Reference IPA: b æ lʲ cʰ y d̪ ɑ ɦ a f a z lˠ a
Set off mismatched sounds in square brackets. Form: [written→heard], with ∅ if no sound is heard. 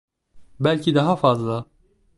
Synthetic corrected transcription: b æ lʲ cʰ [y→i] d̪ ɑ ɦ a f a z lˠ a